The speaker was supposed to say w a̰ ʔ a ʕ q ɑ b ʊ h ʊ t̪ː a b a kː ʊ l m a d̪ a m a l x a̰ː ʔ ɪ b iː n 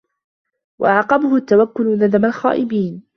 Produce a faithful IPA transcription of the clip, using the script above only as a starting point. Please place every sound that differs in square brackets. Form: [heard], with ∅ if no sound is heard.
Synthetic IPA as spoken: w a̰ ʔ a ʕ q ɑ b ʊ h ʊ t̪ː a [w] a kː ʊ l [n] a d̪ a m a l x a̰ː ʔ ɪ b iː n